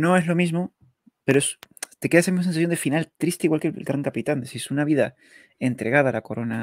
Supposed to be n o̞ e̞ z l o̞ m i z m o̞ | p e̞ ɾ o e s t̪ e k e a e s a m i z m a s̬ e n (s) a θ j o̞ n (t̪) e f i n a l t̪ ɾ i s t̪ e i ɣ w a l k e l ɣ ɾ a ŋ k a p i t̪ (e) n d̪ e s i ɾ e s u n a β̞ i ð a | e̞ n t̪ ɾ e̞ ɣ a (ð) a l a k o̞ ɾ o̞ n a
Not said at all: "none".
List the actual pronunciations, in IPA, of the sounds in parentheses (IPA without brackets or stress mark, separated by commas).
s, d̪, a, ð